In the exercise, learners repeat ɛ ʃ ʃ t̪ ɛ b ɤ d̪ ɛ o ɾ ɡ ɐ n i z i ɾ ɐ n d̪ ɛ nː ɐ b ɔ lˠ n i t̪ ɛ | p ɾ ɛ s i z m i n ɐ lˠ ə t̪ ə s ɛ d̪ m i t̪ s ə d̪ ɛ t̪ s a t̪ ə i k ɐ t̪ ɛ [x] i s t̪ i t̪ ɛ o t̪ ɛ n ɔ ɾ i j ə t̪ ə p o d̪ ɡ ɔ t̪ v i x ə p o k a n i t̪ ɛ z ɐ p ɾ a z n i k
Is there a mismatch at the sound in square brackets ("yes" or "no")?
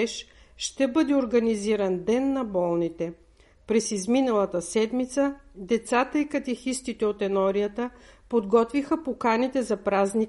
no